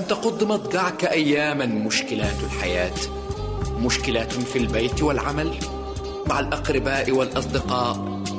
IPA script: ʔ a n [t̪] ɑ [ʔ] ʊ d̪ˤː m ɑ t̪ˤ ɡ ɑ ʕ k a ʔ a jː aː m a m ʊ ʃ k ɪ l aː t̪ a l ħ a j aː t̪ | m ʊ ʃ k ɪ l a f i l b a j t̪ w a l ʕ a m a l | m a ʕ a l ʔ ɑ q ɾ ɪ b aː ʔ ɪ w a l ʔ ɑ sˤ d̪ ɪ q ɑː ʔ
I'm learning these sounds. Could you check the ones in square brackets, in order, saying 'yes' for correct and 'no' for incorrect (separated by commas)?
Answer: yes, no